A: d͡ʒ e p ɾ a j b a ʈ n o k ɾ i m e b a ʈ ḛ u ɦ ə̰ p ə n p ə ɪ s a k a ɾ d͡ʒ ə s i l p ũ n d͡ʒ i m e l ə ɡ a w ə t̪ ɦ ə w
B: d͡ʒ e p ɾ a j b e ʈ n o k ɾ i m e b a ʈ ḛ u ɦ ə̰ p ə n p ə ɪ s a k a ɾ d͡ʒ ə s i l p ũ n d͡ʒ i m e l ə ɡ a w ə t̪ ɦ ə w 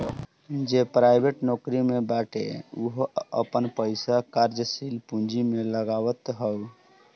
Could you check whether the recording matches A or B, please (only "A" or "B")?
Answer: B